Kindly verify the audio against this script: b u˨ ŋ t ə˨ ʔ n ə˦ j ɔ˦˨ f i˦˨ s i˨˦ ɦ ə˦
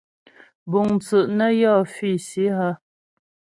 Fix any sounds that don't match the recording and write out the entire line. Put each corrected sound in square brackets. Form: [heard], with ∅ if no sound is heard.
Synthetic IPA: b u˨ ŋ [t͡s] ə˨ ʔ n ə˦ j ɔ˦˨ f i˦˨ s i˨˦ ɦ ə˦